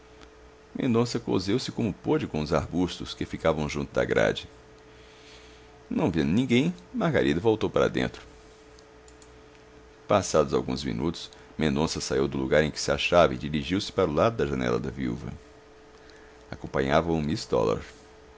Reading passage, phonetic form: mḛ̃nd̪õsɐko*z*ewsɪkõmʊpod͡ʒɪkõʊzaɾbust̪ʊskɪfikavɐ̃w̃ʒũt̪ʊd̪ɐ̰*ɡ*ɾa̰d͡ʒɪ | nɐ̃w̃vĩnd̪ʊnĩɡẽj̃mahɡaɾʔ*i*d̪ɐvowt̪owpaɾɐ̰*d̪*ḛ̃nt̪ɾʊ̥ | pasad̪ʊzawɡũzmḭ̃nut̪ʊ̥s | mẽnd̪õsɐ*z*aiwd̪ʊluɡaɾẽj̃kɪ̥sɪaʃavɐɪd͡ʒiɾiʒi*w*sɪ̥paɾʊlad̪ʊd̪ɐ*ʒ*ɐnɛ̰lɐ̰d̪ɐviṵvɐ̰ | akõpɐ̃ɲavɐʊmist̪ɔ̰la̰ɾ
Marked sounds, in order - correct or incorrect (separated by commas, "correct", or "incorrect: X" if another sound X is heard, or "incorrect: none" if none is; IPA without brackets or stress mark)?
correct, correct, correct, correct, incorrect: s, correct, correct